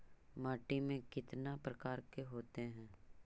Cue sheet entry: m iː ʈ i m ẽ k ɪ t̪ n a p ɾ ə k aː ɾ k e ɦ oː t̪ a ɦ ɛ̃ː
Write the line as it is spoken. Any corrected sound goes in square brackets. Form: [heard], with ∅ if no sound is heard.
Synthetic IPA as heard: m [aː] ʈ i m ẽ k ɪ t̪ n a p ɾ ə k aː ɾ k e ɦ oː t̪ [e] ɦ ɛ̃ː